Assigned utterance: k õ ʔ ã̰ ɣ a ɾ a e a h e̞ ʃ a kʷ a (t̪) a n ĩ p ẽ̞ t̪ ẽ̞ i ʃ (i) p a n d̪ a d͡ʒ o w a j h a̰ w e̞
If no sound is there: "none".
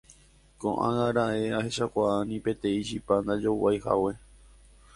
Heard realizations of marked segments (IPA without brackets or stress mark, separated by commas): none, i